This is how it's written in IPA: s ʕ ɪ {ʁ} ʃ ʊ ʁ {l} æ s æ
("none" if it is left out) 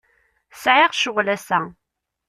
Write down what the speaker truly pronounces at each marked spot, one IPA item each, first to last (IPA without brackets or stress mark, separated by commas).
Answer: ʁ, l